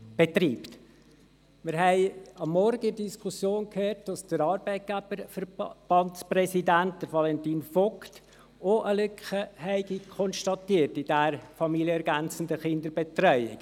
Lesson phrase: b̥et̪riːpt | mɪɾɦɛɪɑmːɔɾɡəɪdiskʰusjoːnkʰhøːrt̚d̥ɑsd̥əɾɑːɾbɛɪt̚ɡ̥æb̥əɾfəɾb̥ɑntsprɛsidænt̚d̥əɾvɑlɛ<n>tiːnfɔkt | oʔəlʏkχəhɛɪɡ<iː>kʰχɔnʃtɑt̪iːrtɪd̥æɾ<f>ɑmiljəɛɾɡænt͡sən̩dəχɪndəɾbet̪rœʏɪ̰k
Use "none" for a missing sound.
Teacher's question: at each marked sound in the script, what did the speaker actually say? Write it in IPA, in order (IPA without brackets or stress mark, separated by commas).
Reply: n, i, f